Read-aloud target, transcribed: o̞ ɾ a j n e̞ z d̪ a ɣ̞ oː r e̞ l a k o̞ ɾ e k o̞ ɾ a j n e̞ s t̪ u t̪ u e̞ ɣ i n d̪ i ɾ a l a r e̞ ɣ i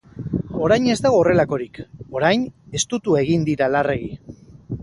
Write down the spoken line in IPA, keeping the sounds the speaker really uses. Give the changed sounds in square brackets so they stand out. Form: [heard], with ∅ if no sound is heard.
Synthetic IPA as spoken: o̞ ɾ a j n e̞ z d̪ a ɣ̞ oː r e̞ l a k o̞ ɾ [i] k o̞ ɾ a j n e̞ s t̪ u t̪ u e̞ ɣ i n d̪ i ɾ a l a r e̞ ɣ i